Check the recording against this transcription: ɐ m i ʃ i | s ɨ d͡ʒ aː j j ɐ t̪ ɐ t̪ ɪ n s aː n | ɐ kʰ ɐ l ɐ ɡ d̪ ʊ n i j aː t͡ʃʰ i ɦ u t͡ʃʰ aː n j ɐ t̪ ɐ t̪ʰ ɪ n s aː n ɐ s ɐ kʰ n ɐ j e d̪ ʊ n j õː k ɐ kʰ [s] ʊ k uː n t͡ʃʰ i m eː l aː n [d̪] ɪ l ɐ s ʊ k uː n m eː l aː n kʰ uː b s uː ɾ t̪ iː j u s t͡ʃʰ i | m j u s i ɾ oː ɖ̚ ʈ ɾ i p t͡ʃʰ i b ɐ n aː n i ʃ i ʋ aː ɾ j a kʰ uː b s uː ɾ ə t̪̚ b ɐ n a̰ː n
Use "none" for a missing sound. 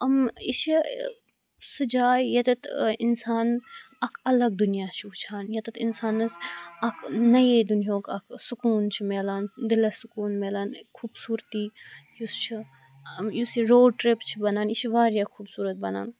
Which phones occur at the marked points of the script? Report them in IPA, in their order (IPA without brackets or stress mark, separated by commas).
s, d̪